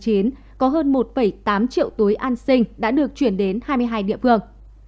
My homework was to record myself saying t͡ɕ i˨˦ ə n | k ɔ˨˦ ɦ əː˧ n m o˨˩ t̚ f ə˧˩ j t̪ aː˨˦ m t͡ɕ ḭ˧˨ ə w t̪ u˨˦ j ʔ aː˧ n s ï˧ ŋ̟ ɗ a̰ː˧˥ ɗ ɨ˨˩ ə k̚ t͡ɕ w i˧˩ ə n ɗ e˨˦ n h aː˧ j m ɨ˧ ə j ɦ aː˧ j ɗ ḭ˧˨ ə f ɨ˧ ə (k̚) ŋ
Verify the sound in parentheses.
incorrect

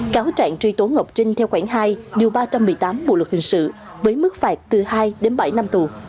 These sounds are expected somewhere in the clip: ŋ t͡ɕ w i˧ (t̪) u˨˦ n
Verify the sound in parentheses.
correct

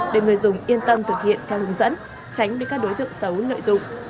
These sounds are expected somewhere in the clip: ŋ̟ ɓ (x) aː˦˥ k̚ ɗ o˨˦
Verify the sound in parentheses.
incorrect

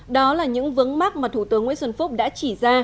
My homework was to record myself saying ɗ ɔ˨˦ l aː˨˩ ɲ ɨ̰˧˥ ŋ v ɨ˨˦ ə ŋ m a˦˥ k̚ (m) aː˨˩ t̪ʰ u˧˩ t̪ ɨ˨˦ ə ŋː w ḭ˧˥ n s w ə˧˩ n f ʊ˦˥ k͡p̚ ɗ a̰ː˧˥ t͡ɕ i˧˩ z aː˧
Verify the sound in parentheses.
correct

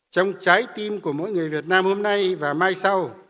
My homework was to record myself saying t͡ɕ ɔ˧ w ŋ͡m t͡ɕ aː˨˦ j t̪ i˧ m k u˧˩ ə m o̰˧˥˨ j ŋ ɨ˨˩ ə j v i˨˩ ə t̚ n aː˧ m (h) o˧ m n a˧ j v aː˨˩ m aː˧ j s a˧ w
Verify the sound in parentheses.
correct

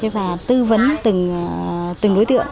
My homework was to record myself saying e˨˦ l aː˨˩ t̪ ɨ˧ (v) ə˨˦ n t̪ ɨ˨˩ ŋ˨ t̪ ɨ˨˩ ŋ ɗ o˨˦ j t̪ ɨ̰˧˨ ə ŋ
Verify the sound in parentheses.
correct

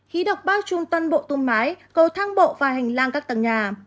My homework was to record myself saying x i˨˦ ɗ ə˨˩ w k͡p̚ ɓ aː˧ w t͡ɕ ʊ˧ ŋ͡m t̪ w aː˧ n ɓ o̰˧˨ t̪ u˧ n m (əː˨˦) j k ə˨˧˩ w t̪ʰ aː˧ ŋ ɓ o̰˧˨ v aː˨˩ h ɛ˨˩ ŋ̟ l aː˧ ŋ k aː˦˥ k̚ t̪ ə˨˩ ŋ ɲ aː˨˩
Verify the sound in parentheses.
incorrect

